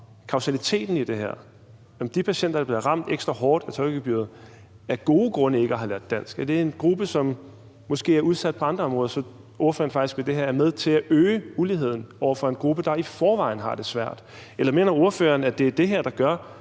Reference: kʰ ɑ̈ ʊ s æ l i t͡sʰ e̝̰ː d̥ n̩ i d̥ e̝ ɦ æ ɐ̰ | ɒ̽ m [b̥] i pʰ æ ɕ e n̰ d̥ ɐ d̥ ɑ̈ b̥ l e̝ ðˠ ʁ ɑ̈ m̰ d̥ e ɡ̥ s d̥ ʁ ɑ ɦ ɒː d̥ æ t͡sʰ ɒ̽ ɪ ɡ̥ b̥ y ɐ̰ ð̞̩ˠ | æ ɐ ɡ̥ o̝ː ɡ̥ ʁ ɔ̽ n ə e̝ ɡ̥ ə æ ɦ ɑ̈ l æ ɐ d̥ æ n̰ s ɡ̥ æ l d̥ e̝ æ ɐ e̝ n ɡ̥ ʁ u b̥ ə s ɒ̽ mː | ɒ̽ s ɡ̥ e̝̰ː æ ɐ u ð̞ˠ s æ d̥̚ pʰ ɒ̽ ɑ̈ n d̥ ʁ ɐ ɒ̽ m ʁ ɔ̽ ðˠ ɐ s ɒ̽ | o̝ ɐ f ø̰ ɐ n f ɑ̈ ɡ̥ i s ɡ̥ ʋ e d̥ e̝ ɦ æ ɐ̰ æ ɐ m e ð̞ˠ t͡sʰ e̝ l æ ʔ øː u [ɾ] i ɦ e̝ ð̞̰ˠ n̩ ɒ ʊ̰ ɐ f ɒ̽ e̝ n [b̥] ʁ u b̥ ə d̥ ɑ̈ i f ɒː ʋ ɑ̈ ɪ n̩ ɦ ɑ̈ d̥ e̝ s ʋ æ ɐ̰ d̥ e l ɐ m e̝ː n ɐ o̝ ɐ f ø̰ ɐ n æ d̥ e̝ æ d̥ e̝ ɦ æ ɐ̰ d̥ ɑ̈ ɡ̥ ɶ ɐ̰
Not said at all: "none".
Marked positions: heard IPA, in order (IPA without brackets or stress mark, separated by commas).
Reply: d̥, l, ɡ̥